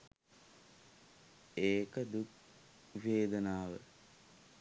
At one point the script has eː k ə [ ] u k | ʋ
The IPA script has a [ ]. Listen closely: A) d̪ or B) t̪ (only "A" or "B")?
A